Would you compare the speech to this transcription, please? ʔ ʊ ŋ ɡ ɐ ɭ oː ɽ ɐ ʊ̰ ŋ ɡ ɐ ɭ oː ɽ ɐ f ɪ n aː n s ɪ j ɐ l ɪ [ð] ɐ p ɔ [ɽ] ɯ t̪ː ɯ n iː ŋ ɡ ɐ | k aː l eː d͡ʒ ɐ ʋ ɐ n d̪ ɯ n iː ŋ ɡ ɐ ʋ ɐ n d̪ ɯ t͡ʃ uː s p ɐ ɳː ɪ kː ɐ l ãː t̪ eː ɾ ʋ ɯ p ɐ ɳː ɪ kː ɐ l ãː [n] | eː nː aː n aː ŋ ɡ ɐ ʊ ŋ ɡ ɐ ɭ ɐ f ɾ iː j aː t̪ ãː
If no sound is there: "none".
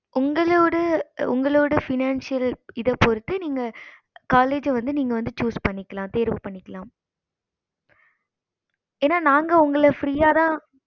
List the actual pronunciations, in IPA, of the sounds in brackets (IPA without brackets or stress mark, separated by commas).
ð, ɾ, m